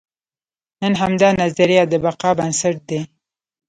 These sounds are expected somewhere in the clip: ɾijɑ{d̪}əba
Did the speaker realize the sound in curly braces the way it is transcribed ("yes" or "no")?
yes